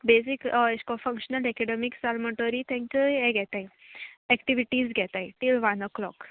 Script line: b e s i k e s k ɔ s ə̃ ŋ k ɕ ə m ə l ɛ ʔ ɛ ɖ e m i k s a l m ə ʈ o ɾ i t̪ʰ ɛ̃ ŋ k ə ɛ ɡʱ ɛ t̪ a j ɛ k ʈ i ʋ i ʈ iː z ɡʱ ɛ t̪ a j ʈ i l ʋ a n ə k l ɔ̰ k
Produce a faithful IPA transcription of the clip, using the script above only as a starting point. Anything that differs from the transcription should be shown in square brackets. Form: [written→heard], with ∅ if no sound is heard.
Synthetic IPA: b e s i k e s k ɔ [s→f] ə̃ ŋ k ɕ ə [m→n] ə l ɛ [ʔ→k] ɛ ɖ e m i k s a l m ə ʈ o ɾ i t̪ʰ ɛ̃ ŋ k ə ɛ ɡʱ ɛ t̪ a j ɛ k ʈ i ʋ i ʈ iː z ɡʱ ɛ t̪ a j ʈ i l ʋ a n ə k l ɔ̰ k